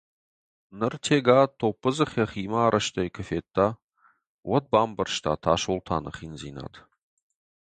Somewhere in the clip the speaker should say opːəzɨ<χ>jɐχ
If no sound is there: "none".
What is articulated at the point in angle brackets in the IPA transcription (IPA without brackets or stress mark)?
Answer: χ